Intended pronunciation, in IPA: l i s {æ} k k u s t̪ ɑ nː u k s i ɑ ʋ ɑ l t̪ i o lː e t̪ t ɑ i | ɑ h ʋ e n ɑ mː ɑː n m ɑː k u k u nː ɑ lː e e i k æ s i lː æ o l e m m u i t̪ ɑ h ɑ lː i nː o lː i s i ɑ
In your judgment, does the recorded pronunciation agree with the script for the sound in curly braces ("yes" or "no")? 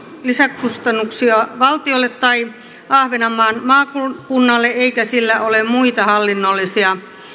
yes